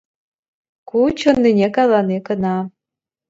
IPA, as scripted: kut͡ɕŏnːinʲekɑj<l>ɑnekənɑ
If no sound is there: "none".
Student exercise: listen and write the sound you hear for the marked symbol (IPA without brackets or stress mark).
l